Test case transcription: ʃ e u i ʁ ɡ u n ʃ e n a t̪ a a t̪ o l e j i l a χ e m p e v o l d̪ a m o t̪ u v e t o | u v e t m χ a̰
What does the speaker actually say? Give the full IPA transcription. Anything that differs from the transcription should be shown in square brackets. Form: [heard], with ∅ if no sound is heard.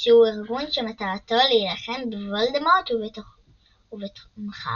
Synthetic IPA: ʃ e u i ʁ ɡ u n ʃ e [m] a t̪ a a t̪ o l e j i l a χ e m [b] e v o l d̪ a m o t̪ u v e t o | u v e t m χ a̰